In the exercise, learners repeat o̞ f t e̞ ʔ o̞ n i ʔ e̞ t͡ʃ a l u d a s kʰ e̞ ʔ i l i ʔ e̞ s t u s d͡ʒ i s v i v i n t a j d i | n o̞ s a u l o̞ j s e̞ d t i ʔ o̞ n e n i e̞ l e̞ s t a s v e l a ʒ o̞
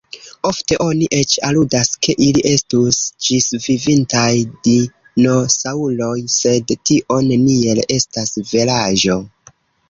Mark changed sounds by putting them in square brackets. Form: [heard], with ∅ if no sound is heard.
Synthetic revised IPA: o̞ f t e̞ ʔ o̞ n i ʔ e̞ t͡ʃ a l u d a s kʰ e̞ ʔ i l i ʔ e̞ s t u s d͡ʒ i s v i v i n t a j d i | n o̞ s a u l o̞ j s e̞ d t i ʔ o̞ n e n i e̞ l e̞ s t a s v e l a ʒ o̞